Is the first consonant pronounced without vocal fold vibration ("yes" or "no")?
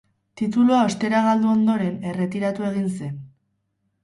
yes